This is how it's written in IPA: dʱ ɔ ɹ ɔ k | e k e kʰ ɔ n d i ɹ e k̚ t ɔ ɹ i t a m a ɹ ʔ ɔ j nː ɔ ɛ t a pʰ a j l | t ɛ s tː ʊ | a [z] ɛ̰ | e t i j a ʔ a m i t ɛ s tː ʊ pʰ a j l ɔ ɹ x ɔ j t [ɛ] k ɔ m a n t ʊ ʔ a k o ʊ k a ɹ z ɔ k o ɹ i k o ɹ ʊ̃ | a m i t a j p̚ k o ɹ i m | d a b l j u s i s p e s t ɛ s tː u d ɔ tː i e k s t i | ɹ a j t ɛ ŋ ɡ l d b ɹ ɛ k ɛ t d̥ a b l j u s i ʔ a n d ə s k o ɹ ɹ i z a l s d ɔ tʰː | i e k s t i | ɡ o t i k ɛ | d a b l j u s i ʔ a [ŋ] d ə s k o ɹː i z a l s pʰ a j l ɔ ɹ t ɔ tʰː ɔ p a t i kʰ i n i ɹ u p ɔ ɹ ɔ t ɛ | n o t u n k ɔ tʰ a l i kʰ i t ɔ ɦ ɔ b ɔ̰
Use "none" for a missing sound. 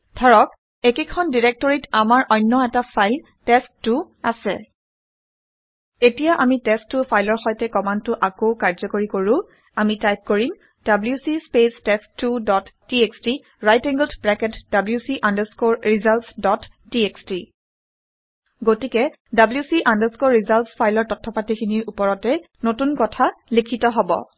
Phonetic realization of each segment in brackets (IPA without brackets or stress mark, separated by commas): s, ɛ, n